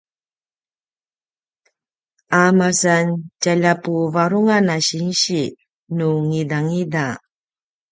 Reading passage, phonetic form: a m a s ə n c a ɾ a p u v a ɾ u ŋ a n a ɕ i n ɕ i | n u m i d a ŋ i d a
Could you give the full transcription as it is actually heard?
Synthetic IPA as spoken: a m a s a n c a ʎ a p u v a ɾ u ŋ a n a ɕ i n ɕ i | n u ŋ i d a ŋ i d a